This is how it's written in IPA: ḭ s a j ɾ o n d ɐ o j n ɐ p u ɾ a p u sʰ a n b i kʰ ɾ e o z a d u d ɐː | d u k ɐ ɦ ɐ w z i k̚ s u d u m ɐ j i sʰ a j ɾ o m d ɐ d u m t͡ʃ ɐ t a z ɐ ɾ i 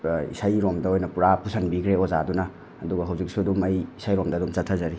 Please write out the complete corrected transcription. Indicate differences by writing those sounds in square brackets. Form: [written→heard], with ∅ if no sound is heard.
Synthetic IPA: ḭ s a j ɾ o [n→m] d ɐ o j n ɐ p u ɾ a p u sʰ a n b i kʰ ɾ e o z a d u [d→n] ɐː | d u [k→ɡ] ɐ ɦ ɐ w z i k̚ s u d u m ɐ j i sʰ a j ɾ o m d ɐ d u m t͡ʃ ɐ [t→tʰ] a z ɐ ɾ i